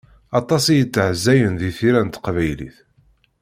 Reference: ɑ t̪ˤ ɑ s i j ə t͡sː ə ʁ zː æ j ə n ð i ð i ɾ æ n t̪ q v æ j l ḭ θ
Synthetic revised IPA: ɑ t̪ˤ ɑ s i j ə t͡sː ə ʕ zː æ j ə n ð i θ i ɾ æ n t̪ q v æ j l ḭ θ